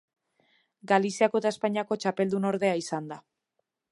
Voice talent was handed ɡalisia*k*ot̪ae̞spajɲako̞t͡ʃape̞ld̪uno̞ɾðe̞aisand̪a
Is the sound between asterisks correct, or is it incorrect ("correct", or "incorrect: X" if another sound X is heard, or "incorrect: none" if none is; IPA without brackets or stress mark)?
correct